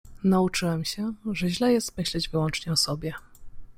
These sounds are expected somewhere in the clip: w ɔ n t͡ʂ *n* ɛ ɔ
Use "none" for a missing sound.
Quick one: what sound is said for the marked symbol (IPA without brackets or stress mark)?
ɲ